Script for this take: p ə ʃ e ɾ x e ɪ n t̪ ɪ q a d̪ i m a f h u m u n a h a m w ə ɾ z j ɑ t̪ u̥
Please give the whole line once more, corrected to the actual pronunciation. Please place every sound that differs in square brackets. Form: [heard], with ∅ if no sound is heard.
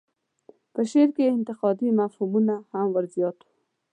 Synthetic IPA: p ə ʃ e ɾ [k] e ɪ n t̪ ɪ q [ɑ] d̪ i m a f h u m u n a h a m w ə ɾ z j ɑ t̪ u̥